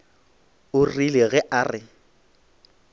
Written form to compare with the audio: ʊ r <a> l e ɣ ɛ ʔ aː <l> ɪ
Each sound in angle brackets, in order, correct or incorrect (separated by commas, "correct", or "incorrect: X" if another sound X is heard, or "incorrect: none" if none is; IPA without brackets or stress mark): incorrect: i, incorrect: r